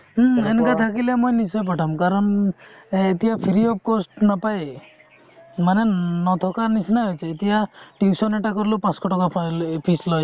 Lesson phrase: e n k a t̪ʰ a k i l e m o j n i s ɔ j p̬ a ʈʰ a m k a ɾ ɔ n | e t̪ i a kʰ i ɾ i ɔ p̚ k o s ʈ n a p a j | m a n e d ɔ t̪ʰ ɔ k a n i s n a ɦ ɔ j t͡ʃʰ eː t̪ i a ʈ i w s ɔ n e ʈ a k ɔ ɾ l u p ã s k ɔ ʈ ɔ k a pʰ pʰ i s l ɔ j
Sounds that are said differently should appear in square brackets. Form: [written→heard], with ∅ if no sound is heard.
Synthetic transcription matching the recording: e n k a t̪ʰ a k i l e m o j n i s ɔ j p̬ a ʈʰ a m k a ɾ ɔ n | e t̪ i a [kʰ→pʰ] i ɾ i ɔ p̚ k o s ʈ n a p a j | m a n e [d→n] ɔ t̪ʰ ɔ k a n i s n a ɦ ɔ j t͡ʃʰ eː t̪ i a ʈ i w s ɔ n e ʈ a k ɔ ɾ l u p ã s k ɔ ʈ ɔ k a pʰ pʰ i s l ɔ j